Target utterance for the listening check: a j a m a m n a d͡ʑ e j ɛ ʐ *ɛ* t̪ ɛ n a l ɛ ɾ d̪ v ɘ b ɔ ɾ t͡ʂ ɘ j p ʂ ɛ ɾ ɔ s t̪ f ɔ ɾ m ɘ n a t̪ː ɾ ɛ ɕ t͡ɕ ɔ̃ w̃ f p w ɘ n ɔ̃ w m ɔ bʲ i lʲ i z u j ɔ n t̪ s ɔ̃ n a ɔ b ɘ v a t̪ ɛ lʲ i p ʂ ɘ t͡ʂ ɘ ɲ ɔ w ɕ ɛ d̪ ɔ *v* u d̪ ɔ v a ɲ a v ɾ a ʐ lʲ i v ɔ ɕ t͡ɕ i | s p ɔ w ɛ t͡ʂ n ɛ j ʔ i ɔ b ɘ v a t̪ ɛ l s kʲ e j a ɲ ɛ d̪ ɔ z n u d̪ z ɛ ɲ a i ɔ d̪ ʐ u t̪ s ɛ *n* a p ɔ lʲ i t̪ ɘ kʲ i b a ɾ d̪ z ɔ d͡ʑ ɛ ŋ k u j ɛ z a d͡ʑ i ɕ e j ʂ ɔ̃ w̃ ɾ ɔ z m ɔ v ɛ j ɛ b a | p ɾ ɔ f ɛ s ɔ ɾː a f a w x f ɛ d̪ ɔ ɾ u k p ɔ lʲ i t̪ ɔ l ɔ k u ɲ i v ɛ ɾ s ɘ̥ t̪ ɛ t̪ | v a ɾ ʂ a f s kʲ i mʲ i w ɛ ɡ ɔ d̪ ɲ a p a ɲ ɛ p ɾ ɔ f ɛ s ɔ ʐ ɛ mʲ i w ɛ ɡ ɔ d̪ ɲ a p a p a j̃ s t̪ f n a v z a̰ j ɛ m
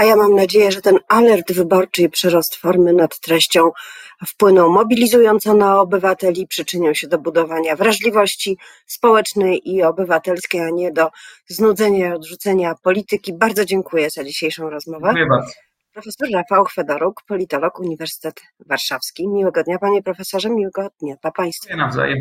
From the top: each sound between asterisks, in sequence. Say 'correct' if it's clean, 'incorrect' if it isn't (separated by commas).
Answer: correct, incorrect, incorrect